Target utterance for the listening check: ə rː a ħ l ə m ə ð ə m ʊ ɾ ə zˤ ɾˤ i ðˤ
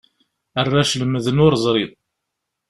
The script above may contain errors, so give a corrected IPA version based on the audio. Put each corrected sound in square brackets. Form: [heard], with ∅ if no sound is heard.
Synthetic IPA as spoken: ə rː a [ʃ] l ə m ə ð ə [n] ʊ ɾ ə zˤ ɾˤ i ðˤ